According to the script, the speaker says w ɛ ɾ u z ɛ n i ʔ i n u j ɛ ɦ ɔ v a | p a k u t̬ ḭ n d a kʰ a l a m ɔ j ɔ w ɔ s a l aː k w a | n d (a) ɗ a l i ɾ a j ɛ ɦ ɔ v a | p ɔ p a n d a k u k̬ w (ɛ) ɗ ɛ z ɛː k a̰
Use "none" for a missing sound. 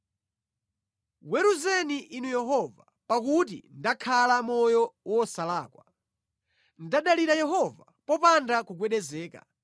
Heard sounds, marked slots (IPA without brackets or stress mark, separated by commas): a, ɛ